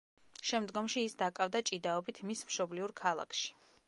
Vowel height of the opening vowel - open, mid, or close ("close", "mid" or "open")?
mid